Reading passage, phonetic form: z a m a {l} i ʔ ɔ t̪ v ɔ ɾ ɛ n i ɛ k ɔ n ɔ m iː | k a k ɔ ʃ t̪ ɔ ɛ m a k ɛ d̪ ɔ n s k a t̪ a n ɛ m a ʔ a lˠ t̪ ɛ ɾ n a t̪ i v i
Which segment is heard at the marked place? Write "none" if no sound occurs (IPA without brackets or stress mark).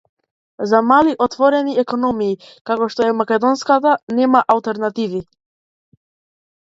l